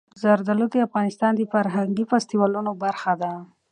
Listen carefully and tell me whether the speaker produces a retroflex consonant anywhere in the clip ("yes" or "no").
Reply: no